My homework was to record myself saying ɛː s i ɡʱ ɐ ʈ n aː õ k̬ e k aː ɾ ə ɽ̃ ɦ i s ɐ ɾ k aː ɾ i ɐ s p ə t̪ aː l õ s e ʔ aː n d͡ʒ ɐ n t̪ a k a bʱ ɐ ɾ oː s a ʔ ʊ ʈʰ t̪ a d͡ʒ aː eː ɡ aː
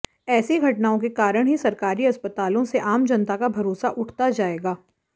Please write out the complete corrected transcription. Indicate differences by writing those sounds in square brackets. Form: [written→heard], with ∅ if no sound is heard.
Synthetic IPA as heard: ɛː s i ɡʱ ɐ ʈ n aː õ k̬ e k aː ɾ ə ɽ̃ ɦ i s ɐ ɾ k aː ɾ i ɐ s p ə t̪ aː l õ s e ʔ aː [n→m] d͡ʒ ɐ n t̪ a k a bʱ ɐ ɾ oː s a ʔ ʊ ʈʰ t̪ a d͡ʒ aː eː ɡ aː